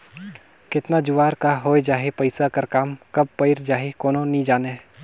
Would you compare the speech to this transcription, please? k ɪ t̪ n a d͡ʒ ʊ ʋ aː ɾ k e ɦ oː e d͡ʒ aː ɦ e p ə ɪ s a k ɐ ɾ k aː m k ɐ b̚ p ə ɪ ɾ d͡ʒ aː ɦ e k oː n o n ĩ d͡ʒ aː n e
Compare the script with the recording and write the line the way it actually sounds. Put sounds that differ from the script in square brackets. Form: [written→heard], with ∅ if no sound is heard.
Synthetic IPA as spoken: k ɪ t̪ n a d͡ʒ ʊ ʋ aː ɾ k [e→a] ɦ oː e d͡ʒ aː ɦ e p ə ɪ s a k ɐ ɾ k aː m k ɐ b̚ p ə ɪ ɾ d͡ʒ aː ɦ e k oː n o n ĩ d͡ʒ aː n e